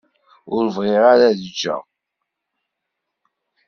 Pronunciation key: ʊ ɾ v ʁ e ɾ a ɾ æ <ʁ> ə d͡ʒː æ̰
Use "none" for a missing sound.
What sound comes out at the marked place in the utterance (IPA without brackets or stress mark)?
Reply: ð